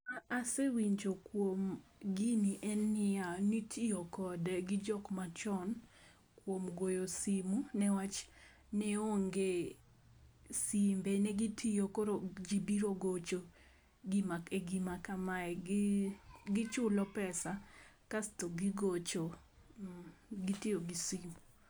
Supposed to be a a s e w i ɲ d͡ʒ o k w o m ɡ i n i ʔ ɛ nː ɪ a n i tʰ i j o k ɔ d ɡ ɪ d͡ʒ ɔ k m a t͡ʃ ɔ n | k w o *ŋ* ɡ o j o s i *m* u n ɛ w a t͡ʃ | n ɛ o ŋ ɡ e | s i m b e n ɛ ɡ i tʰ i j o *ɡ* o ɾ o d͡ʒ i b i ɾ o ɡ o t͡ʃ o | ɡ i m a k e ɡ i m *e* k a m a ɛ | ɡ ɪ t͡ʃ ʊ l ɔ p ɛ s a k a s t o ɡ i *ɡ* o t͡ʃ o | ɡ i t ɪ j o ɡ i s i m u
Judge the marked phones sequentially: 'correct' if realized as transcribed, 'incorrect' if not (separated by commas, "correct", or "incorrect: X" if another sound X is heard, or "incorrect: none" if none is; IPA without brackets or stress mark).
incorrect: m, correct, incorrect: k, incorrect: a, correct